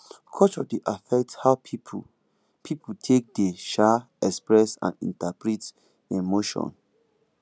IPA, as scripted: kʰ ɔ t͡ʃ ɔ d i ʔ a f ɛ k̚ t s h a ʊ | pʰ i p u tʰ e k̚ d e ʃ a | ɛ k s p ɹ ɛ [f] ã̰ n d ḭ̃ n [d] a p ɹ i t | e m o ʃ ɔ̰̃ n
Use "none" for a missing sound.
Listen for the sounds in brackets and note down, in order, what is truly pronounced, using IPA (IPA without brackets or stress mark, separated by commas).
s, t